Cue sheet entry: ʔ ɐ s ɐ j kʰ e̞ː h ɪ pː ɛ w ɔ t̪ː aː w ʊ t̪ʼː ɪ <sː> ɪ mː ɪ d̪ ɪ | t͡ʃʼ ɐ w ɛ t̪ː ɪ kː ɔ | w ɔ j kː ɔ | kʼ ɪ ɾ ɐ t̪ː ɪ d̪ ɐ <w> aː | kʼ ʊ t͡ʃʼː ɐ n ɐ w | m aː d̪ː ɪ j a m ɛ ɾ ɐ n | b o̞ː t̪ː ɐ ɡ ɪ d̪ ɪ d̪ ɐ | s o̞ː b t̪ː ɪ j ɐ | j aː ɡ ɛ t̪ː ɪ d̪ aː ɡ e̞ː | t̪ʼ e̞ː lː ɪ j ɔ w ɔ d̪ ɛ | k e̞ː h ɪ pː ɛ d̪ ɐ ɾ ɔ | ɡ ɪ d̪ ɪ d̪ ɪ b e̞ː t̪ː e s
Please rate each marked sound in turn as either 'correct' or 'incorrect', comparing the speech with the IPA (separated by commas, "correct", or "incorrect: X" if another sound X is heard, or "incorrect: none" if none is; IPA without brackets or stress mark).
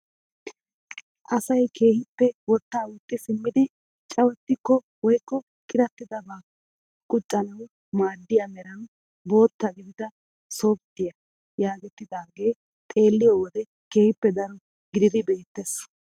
incorrect: s, incorrect: b